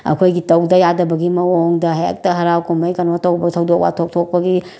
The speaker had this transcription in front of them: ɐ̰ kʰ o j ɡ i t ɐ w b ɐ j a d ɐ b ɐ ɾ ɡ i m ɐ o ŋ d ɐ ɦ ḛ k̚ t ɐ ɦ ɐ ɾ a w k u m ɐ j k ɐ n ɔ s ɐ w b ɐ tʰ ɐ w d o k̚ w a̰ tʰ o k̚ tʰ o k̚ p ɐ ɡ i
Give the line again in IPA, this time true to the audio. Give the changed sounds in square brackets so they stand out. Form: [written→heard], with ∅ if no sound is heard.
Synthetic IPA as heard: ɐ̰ kʰ o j ɡ i t ɐ w [b→d] ɐ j a d ɐ b ɐ [ɾ→∅] ɡ i m ɐ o ŋ d ɐ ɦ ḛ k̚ t ɐ ɦ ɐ ɾ a w k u m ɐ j k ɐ n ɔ [s→t] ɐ w b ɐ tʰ ɐ w d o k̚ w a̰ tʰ o k̚ tʰ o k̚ p ɐ ɡ i